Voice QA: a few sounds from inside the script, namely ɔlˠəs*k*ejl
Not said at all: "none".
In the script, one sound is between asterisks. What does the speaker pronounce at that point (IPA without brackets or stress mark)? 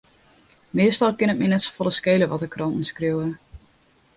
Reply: k